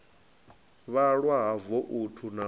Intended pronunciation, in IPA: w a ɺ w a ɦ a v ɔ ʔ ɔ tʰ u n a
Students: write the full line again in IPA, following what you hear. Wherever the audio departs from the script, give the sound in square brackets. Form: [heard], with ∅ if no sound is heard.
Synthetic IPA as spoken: [β] a ɺ w a ɦ a v ɔ ʔ [u] tʰ u n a